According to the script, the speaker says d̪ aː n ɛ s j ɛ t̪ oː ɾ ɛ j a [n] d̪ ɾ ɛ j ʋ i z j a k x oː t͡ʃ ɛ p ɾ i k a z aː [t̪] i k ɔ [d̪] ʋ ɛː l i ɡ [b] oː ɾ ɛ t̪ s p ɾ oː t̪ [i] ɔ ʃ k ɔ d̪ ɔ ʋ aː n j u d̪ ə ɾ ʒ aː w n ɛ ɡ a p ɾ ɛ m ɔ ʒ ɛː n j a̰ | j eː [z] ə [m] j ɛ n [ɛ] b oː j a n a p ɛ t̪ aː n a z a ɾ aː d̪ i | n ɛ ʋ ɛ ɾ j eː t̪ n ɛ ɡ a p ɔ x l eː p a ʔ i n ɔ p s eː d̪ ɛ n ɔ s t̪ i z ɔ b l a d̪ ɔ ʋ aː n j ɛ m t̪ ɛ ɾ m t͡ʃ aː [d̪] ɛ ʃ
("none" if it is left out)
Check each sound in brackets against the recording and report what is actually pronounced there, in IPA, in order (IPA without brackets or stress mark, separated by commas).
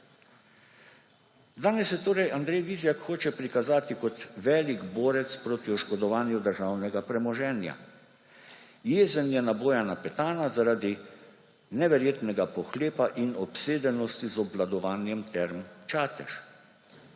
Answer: n, t̪, t̪, b, i, z, n, a, t̪